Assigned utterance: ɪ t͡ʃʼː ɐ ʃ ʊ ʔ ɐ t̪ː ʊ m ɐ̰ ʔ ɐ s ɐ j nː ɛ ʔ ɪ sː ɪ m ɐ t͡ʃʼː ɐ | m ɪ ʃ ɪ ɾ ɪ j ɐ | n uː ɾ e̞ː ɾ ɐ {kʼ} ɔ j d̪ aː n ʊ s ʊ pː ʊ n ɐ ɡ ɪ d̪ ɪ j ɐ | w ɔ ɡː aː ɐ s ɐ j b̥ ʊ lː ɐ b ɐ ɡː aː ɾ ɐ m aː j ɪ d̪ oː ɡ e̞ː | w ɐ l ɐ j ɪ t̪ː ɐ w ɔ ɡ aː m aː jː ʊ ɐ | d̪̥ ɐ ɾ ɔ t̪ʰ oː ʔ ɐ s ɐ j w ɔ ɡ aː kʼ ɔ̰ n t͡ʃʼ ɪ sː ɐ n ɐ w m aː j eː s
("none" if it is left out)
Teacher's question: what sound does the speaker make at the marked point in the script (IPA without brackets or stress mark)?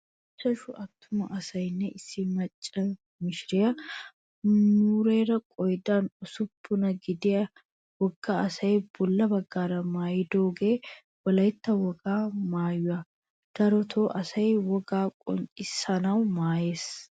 kʼ